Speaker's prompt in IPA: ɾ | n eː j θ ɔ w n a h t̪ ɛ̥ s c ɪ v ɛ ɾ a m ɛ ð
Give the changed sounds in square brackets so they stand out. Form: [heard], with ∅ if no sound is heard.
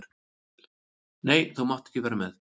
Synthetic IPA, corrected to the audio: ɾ | n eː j θ [u] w [m] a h t̪ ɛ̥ [h] c ɪ v [ɛː] ɾ a m ɛ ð